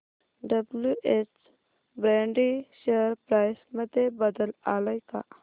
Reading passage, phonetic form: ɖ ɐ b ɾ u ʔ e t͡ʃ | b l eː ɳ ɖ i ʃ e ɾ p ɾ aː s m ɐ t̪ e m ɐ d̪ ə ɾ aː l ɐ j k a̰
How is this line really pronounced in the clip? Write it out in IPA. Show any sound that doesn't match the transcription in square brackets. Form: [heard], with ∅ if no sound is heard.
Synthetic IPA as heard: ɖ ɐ b [l] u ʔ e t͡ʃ | b [ɾ] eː ɳ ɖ i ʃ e ɾ p ɾ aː s m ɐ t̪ e [b] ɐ d̪ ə [l] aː l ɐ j k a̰